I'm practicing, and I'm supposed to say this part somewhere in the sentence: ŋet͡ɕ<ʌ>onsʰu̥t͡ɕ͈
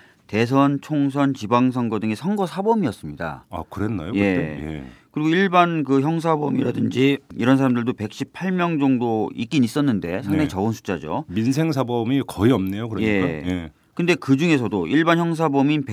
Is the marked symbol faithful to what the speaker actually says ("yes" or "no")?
yes